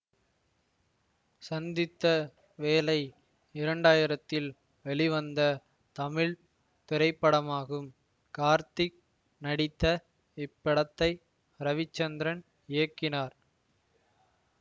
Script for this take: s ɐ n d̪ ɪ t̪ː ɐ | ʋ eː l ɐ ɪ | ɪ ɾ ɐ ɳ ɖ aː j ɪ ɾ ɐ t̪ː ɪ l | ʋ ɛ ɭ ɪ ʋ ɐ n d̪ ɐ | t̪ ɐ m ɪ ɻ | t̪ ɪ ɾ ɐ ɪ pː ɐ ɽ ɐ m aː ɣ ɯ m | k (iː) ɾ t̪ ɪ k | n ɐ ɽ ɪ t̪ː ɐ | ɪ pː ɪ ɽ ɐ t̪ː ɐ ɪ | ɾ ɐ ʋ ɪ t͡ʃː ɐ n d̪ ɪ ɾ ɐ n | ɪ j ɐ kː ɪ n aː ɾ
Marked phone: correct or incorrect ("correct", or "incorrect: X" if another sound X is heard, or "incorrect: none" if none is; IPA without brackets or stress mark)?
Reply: incorrect: aː